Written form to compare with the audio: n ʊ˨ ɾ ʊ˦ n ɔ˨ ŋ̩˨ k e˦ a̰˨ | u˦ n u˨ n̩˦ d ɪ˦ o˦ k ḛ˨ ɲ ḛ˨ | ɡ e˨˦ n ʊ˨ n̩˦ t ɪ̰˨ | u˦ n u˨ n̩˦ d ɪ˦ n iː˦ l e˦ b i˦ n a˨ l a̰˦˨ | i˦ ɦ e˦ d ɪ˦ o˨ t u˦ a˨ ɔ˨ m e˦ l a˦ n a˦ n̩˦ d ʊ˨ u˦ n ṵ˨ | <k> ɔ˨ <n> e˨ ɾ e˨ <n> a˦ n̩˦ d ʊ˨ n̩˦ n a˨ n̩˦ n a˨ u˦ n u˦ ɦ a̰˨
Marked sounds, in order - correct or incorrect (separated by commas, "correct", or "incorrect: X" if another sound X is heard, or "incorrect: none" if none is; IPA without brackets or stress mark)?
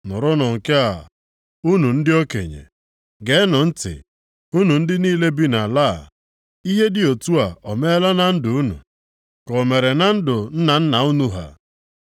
correct, incorrect: m, correct